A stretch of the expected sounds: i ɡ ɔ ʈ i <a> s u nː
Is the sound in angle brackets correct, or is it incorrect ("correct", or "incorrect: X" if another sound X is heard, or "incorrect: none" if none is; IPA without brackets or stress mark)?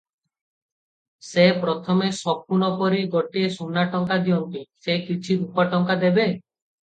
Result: incorrect: e